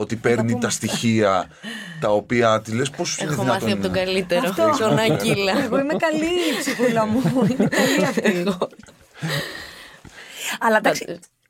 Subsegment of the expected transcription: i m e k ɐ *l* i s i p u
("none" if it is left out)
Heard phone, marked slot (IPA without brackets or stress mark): l